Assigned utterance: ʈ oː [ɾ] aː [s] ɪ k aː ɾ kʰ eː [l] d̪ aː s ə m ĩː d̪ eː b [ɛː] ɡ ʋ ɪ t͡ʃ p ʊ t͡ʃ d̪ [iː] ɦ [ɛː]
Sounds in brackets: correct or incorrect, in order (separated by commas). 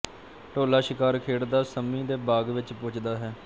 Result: incorrect, incorrect, incorrect, incorrect, incorrect, correct